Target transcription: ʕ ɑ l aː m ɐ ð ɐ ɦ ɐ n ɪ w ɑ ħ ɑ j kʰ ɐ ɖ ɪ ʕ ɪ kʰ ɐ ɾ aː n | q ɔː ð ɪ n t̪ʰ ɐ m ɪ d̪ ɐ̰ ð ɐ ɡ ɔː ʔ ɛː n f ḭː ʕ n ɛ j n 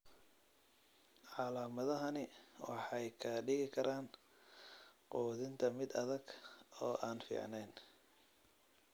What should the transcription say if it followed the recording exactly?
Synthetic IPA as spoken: ʕ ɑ l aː m ɐ ð ɐ ɦ ɐ n ɪ w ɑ ħ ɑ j kʰ ɐ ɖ ɪ ɣ ɪ kʰ ɐ ɾ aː n | q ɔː ð ɪ n t̪ʰ ɐ m ɪ d̪ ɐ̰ ð ɐ ɡ ɔː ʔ aː n f ḭː ʕ n ɛ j n